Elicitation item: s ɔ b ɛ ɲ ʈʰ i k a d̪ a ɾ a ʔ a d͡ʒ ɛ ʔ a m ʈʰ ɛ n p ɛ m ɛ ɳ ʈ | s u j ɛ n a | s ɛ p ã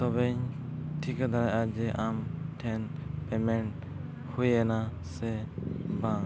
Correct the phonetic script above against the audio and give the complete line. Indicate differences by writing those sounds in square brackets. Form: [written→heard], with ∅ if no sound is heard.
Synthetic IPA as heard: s ɔ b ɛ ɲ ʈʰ i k a d̪ a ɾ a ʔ a d͡ʒ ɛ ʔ a m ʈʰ ɛ n p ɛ m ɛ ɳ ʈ | [s→h] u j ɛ n a | s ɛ [p→b] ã